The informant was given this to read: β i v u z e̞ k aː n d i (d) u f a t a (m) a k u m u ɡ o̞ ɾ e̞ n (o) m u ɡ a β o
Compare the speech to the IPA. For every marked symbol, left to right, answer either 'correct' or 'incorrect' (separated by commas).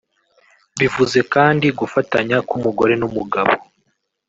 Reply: incorrect, incorrect, incorrect